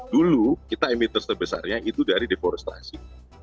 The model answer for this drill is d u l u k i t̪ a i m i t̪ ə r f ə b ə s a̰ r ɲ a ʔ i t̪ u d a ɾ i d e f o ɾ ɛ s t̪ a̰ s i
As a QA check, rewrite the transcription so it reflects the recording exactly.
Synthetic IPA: d u l u k i t̪ a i m i t̪ ə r s ə b ə s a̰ r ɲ a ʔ i t̪ u d a ɾ i d e f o ɾ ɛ s t̪ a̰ s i